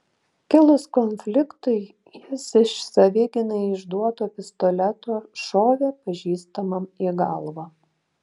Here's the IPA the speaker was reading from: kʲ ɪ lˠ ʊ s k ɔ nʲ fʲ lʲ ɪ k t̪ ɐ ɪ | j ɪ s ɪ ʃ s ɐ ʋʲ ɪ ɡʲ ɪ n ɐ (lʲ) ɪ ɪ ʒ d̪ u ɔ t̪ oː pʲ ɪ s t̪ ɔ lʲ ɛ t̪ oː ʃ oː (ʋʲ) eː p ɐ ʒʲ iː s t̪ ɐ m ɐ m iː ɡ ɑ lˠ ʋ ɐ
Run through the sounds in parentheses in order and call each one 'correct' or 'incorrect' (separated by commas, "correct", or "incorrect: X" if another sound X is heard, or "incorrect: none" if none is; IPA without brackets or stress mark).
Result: incorrect: none, correct